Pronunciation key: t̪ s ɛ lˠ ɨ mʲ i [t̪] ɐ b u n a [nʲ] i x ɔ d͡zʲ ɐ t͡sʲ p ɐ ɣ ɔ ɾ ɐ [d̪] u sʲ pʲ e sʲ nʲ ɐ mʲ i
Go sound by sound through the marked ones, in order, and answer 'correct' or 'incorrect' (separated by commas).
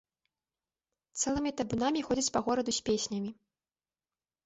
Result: correct, incorrect, correct